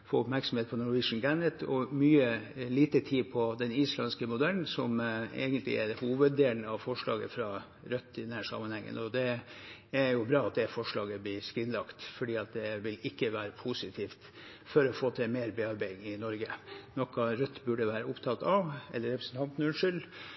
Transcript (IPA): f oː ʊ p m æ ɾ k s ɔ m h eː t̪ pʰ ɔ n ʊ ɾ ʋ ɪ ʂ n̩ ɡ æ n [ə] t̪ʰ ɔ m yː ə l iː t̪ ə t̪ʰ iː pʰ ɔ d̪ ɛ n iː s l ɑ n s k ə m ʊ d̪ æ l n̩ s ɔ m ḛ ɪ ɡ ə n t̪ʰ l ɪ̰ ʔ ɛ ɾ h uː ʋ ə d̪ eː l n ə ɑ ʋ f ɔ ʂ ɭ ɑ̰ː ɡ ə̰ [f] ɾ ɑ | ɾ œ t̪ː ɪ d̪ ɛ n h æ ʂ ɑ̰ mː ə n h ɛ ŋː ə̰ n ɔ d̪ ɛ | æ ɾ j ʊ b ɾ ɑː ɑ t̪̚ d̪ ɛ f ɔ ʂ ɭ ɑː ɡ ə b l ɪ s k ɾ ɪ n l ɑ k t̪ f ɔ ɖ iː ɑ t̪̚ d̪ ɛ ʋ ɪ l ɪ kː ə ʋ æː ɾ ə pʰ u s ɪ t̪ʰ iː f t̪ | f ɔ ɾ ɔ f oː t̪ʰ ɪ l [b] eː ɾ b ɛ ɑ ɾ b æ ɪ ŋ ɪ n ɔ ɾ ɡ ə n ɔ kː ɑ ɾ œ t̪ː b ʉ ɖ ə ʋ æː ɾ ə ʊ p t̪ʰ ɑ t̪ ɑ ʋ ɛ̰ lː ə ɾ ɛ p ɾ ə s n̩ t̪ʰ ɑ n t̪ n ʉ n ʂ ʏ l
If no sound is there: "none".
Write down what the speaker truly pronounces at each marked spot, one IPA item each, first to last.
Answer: ə, f, m

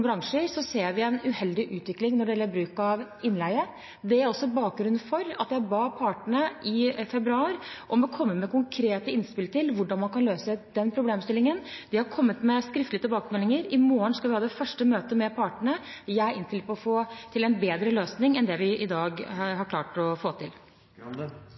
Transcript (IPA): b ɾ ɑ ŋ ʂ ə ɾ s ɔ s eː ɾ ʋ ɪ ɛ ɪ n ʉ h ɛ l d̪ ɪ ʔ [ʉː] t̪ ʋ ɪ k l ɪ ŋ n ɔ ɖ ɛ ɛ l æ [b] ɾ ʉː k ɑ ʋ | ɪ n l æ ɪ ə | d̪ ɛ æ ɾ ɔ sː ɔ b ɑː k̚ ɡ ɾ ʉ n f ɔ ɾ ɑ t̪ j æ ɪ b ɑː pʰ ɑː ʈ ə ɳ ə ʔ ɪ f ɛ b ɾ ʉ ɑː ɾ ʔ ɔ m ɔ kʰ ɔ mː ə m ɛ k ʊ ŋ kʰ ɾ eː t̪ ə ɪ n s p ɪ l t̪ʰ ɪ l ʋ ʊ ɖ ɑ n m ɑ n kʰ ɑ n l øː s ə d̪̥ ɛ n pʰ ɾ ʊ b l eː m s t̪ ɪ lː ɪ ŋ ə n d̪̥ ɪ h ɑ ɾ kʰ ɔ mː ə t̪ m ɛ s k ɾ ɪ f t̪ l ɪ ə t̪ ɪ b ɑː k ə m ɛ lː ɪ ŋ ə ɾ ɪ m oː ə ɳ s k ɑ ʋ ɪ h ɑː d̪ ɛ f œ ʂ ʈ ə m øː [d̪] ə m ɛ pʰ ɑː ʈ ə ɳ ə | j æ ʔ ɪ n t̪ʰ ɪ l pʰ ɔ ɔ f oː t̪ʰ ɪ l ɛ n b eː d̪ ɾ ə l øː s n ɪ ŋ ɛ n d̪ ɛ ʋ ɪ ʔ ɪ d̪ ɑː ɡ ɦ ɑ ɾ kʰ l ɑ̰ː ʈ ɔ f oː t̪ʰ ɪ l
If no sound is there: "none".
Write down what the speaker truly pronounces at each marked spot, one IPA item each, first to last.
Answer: ʉː, b, t̪

